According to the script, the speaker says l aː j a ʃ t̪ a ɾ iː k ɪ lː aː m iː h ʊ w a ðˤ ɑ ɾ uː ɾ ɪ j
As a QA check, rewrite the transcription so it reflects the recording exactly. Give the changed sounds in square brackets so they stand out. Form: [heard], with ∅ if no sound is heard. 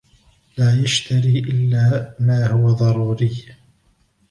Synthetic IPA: l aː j a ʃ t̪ a ɾ iː [ʔ] ɪ lː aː m [aː] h ʊ w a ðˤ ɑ ɾ uː ɾ ɪ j